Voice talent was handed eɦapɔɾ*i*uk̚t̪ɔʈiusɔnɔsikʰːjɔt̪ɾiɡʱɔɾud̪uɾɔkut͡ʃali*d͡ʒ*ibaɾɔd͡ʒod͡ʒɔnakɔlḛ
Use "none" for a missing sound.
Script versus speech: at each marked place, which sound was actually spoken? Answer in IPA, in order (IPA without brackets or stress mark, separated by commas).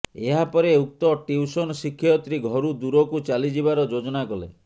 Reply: e, d͡ʒ